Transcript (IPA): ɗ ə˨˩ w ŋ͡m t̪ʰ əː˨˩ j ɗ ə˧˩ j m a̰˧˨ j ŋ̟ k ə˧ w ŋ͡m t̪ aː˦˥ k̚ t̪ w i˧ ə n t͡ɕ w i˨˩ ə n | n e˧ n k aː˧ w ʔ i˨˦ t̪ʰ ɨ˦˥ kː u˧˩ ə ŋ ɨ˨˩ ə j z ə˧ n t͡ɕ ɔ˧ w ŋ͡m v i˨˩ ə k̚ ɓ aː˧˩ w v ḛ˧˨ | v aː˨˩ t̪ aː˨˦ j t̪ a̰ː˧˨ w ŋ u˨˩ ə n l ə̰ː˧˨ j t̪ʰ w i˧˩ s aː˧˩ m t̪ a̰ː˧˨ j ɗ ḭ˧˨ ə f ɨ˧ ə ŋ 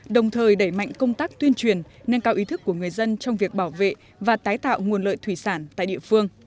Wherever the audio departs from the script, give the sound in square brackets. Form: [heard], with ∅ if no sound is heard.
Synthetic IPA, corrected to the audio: ɗ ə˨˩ w ŋ͡m t̪ʰ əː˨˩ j ɗ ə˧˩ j m a̰˧˨ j ŋ̟ k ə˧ w ŋ͡m t̪ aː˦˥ k̚ t̪ w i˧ ə n t͡ɕ w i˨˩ ə n | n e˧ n k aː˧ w ʔ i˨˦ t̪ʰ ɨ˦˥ kː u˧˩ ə ŋ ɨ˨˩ ə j z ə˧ n t͡ɕ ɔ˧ w ŋ͡m v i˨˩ ə k̚ ɓ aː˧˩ w v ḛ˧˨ | v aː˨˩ t̪ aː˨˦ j t̪ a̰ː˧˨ w ŋ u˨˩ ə n l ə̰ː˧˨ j t̪ʰ w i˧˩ s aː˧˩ [n] t̪ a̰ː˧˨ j ɗ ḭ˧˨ ə f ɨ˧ ə ŋ

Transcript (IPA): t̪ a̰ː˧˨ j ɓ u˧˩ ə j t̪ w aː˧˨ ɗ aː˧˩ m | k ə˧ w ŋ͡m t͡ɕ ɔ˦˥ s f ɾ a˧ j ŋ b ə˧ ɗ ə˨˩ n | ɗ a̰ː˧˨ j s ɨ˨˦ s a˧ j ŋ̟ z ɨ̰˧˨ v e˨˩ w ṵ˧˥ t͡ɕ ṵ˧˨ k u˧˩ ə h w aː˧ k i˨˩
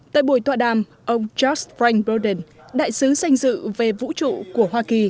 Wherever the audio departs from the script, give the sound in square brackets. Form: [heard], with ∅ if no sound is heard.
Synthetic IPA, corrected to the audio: t̪ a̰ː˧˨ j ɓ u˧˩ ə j t̪ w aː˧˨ ɗ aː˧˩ m | [ʔ] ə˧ w ŋ͡m t͡ɕ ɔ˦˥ s f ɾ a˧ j ŋ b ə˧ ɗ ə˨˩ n | ɗ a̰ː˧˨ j s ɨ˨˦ s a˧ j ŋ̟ z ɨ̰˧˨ v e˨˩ [v] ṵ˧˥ t͡ɕ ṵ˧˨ k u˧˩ ə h w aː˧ k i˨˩

